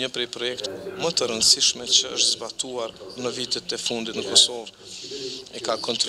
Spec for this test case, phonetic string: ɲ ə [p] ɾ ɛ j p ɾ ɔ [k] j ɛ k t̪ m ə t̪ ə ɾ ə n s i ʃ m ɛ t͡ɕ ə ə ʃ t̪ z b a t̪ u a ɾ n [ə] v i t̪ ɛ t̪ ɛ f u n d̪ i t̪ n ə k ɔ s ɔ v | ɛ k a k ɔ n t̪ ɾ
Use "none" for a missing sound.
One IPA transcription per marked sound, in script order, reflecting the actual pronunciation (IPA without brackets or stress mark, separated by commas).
p, none, ə